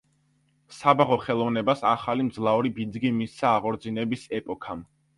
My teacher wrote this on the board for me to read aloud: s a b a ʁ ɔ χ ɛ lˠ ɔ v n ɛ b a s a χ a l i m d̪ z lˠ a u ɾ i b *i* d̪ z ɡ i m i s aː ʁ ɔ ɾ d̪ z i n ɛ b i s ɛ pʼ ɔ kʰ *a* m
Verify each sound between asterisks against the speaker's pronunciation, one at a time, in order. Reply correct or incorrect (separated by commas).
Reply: correct, correct